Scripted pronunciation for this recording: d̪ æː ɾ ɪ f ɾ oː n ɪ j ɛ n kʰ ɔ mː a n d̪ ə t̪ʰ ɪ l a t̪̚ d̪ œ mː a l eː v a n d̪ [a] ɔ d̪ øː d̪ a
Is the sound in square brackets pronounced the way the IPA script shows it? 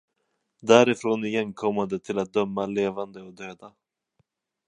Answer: no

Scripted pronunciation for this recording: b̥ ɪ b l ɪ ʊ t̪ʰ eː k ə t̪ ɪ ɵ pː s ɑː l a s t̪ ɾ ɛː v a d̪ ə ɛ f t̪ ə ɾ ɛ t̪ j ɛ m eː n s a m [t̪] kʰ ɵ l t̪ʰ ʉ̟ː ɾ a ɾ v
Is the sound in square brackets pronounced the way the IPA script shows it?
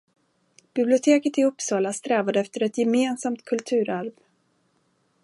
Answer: yes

